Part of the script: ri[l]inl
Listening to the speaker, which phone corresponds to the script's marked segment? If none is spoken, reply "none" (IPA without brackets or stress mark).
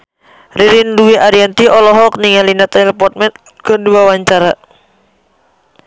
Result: ɾ